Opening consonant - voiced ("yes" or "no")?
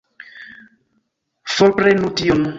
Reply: no